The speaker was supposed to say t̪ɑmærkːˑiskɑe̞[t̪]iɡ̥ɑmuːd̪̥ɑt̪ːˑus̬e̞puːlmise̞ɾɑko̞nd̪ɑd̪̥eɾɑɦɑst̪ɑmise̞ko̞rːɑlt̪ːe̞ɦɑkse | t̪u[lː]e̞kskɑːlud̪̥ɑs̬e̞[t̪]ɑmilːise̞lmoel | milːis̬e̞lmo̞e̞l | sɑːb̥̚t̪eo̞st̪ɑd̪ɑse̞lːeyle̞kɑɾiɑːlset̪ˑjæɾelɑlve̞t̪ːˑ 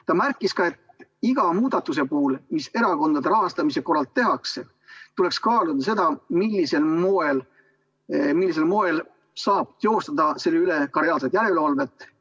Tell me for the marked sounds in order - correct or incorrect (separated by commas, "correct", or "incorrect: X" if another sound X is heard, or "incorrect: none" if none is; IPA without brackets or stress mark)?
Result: correct, incorrect: l, incorrect: d̪